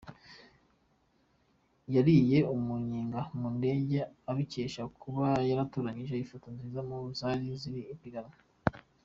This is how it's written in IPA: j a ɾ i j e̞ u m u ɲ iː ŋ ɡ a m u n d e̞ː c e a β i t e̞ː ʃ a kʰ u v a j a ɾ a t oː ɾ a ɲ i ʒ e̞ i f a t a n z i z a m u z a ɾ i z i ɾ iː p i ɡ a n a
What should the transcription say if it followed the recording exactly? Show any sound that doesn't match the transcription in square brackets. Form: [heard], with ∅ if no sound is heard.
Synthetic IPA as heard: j a ɾ i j e̞ u m u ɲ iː ŋ ɡ a m u n d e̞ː [ɟ] e a β i [c] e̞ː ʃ a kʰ u [β] a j a ɾ a t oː ɾ a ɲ i ʒ e̞ i f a t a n z i z a m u z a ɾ i z i ɾ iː p i ɡ a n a